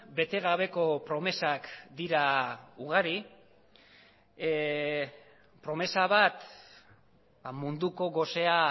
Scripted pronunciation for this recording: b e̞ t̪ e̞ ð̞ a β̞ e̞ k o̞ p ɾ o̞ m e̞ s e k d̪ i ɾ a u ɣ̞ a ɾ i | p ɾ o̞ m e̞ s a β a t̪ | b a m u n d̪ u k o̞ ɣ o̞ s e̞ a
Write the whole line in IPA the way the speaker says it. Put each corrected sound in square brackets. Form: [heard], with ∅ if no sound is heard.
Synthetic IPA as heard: b e̞ t̪ e̞ [ɣ̞] a β̞ e̞ k o̞ p ɾ o̞ m e̞ s [a] k d̪ i ɾ a u ɣ̞ a ɾ i | p ɾ o̞ m e̞ s a β a t̪ | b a m u n d̪ u k o̞ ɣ o̞ s e̞ a

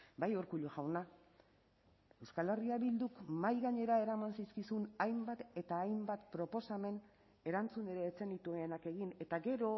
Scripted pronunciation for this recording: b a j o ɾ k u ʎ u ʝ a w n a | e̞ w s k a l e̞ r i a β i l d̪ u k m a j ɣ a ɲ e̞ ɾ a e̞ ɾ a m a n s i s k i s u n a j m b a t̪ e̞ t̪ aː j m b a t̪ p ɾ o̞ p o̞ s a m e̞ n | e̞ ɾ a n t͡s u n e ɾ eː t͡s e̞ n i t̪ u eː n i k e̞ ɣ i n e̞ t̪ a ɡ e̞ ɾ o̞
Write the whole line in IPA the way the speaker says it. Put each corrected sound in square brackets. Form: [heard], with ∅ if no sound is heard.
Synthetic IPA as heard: b a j o ɾ k u ʎ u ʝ a w n a | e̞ w s k a l e̞ r i a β i l d̪ u k m a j ɣ a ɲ e̞ ɾ a e̞ ɾ a m a n s i s k i s u n a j m b a t̪ e̞ t̪ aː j m b a t̪ p ɾ o̞ p o̞ s a m e̞ n | e̞ ɾ a n t͡s u n e ɾ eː t͡s e̞ n i t̪ u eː n [a] k e̞ ɣ i n e̞ t̪ a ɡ e̞ ɾ o̞

